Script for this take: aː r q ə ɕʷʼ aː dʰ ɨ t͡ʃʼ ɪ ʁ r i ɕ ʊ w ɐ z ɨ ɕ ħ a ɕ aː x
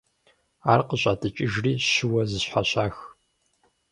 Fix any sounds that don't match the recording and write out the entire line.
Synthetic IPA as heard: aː r q ə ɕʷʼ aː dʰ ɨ t͡ʃʼ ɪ ʒ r iː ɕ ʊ w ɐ z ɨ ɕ ħ a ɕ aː x